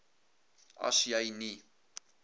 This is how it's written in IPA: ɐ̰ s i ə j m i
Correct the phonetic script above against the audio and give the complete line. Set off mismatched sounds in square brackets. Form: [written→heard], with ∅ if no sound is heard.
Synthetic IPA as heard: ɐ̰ s [i→j] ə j [m→n] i